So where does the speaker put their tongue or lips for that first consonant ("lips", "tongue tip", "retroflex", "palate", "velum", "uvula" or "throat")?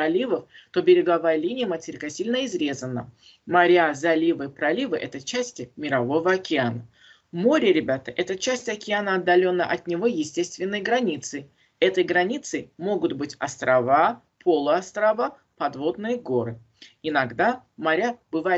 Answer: tongue tip